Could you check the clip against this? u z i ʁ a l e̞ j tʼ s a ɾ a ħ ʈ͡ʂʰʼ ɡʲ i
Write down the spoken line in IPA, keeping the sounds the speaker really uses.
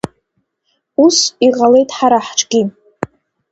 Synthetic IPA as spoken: u s i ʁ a l e̞ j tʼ ħ a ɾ a ħ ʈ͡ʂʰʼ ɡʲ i